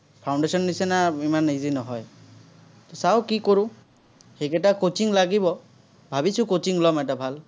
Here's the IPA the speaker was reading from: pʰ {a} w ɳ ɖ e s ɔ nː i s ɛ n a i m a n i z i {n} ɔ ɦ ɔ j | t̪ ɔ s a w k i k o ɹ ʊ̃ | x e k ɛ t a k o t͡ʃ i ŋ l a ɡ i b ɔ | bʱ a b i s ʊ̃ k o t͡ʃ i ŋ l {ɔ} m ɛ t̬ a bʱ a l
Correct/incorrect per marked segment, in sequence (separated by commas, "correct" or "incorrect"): correct, correct, correct